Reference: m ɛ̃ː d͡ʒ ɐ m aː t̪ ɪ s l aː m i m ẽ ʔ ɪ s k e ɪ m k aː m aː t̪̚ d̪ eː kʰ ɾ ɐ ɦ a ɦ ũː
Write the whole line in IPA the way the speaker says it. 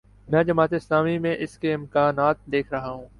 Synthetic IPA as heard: m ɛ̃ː d͡ʒ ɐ m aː t̪ ɪ s l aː m i m ẽ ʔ ɪ s k e ɪ m k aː n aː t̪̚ d̪ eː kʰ ɾ ɐ ɦ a ɦ ũː